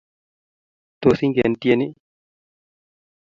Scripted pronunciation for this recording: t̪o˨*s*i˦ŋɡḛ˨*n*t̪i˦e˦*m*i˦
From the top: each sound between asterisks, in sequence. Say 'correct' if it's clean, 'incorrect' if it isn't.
correct, correct, incorrect: n

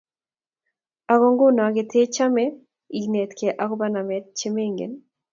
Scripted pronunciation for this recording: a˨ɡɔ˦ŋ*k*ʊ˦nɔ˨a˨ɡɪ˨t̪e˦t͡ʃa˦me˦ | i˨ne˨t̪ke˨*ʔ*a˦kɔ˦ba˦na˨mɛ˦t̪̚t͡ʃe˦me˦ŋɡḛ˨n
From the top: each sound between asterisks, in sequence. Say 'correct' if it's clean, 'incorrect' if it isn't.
incorrect: ɡ, correct

